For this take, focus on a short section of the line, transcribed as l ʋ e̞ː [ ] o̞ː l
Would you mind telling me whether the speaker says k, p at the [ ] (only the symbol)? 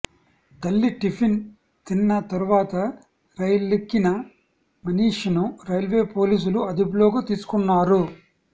p